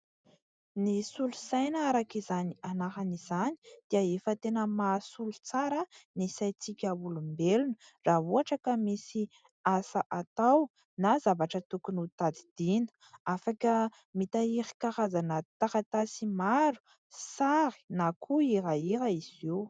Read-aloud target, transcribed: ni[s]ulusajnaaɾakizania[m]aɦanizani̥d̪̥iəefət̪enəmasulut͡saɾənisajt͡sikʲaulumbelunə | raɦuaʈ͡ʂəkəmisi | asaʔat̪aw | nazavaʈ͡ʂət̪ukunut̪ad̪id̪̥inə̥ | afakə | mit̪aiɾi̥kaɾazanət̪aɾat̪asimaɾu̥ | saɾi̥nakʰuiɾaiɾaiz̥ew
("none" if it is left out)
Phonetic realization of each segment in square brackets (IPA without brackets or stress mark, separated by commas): s, n